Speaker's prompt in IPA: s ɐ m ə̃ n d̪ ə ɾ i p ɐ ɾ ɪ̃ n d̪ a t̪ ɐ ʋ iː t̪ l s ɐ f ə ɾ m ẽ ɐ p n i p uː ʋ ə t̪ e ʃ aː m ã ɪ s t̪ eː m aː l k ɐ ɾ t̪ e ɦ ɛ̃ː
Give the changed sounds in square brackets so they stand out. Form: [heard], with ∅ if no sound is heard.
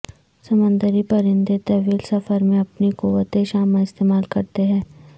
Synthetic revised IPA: s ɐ m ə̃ n d̪ ə ɾ i p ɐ ɾ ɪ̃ n d̪ [e] t̪ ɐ ʋ iː [∅] l s ɐ f ə ɾ m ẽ ɐ p n i [k] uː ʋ ə t̪ e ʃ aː m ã ɪ s t̪ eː m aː l k ɐ ɾ t̪ e ɦ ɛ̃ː